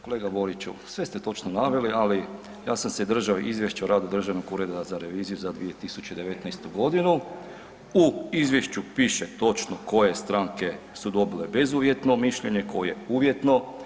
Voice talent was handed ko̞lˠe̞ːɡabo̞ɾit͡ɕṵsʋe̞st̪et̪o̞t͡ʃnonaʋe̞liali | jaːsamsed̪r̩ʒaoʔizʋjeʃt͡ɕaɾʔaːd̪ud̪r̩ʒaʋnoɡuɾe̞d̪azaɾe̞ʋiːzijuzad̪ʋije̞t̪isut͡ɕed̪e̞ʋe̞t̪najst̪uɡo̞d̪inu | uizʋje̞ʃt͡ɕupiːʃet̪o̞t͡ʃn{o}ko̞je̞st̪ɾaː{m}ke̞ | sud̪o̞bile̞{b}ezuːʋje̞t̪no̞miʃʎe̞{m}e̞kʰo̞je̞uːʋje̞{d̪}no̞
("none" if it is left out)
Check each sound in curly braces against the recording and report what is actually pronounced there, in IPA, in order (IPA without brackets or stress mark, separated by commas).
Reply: o, ŋ, b, ɲ, t̪